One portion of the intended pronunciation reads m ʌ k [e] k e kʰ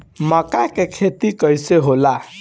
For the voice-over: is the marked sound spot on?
no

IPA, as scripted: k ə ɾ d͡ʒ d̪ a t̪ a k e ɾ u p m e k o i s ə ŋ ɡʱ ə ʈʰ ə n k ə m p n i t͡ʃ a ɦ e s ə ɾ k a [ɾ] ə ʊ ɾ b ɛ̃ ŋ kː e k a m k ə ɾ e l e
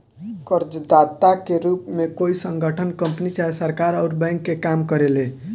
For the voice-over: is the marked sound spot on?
yes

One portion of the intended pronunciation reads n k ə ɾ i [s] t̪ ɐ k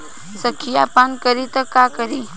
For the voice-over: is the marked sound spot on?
no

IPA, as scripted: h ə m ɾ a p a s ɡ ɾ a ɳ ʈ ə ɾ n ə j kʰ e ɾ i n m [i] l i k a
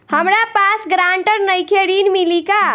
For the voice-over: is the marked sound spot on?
yes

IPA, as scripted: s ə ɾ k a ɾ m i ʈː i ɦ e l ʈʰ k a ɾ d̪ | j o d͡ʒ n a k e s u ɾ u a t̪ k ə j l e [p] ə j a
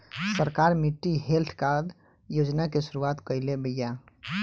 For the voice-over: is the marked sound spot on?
no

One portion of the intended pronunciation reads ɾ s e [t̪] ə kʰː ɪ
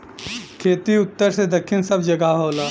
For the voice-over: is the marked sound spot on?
no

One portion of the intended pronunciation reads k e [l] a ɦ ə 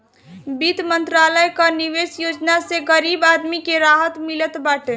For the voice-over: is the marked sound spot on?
no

